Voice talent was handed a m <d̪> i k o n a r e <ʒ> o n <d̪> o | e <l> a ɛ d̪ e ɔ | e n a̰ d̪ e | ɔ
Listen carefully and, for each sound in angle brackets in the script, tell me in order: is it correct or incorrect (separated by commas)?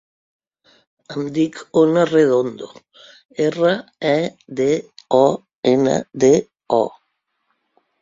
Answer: correct, incorrect, correct, incorrect